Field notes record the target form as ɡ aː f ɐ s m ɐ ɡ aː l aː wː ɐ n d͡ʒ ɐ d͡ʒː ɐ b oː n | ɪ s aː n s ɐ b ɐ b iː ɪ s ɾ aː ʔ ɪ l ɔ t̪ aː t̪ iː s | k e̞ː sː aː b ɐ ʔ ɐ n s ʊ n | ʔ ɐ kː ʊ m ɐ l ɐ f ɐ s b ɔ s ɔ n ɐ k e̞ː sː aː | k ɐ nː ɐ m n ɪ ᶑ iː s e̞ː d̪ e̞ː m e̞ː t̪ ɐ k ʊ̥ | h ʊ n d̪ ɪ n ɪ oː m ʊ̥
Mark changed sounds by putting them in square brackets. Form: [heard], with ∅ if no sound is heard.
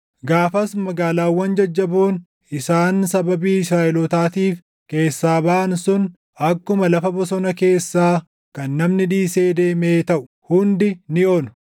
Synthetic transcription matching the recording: ɡ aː f ɐ s m ɐ ɡ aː l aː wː ɐ n d͡ʒ ɐ d͡ʒː ɐ b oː n | ɪ s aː n s ɐ b ɐ b iː ɪ s ɾ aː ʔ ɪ l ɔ t̪ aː t̪ iː [f] | k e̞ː sː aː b ɐ ʔ ɐ n s ʊ n | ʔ ɐ kː ʊ m ɐ l ɐ f ɐ [∅] b ɔ s ɔ n ɐ k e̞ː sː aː | k ɐ nː ɐ m n ɪ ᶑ iː s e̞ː d̪ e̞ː m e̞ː t̪ ɐ [ʔ] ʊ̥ | h ʊ n d̪ ɪ n ɪ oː [n] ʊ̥